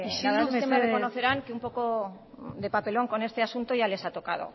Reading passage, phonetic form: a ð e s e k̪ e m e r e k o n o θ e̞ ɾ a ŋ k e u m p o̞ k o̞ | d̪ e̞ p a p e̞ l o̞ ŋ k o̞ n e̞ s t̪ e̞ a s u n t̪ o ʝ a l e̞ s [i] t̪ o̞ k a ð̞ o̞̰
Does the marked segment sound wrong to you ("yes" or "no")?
yes